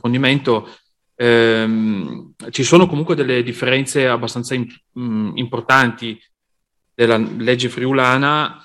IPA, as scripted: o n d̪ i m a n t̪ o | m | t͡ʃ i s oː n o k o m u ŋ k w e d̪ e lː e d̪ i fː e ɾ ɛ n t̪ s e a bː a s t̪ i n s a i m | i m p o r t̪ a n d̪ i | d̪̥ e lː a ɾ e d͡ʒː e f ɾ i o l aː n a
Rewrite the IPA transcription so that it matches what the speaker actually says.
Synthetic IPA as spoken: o n d̪ i m e n t̪ o | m | t͡ʃ i s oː n o k o m u ŋ k w e d̪ e lː e d̪ i fː e ɾ ɛ n t̪ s e a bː a s t̪ a n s a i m | i m p o r t̪ a n t̪ i | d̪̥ e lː a l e d͡ʒː e f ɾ i u l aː n a